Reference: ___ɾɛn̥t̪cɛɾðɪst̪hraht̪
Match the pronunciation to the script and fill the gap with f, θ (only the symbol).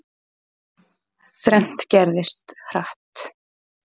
θ